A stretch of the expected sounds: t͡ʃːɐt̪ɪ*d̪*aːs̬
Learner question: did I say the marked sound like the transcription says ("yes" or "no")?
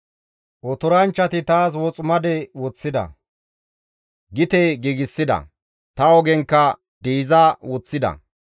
no